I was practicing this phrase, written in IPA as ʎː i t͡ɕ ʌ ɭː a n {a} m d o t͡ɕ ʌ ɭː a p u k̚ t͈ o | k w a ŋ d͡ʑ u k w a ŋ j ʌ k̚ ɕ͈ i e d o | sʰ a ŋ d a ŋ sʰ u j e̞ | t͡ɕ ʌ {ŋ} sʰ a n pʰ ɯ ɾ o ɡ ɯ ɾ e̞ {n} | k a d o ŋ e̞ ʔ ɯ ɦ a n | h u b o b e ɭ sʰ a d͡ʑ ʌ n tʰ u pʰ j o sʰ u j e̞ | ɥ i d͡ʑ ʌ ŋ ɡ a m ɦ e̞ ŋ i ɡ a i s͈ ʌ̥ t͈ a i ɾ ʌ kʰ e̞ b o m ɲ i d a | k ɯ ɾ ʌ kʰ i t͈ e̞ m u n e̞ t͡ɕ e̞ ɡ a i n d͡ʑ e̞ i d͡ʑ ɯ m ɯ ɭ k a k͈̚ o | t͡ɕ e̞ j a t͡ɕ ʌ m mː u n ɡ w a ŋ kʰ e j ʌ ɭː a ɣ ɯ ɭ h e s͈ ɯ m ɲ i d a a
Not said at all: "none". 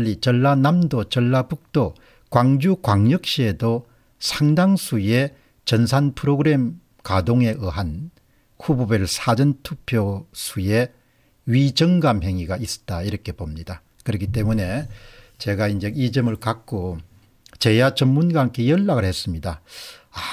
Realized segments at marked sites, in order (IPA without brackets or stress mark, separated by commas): a, n, m